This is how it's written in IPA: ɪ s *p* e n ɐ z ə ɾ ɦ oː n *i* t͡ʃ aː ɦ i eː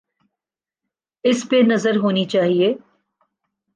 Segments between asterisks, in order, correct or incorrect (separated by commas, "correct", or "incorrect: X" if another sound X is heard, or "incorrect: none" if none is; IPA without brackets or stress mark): correct, correct